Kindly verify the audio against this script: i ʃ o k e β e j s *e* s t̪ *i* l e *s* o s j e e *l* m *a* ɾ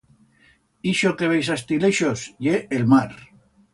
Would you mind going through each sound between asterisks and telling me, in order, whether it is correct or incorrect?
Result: incorrect: a, correct, incorrect: ʃ, correct, correct

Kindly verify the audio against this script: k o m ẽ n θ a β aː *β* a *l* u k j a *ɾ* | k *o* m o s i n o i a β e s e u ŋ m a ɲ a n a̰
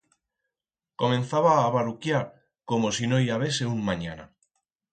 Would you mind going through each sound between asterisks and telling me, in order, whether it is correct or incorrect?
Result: correct, incorrect: ɾ, correct, correct

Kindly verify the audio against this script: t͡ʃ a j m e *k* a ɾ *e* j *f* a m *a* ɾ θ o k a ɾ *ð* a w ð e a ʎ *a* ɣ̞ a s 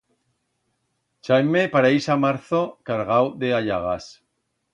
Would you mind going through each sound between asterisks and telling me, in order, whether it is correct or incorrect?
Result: incorrect: p, incorrect: a, incorrect: s, correct, incorrect: ɣ, correct

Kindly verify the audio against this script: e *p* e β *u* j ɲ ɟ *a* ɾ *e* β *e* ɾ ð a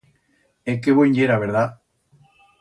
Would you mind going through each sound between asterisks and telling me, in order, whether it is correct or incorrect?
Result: incorrect: k, incorrect: o, incorrect: e, incorrect: a, correct

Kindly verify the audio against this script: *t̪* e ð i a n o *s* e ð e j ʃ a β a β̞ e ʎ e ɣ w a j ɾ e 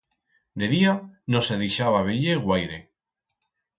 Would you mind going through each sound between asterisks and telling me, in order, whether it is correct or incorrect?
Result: incorrect: d̪, correct

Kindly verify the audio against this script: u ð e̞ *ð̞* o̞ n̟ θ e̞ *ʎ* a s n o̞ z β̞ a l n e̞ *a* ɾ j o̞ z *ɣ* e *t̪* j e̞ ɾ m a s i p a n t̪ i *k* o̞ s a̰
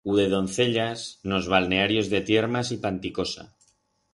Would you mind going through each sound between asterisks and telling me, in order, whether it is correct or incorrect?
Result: correct, correct, correct, incorrect: ð, correct, correct

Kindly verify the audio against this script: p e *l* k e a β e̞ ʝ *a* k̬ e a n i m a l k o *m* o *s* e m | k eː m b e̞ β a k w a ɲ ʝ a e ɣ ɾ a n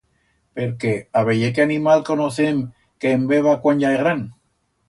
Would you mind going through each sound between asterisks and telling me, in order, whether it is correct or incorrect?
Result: incorrect: ɾ, incorrect: e, incorrect: n, incorrect: θ

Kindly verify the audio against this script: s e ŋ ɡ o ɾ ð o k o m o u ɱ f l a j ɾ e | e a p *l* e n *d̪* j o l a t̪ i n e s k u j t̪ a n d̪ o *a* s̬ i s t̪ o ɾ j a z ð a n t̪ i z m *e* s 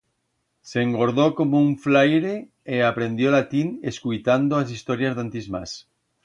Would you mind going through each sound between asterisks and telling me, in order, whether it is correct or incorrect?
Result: incorrect: ɾ, correct, correct, incorrect: a

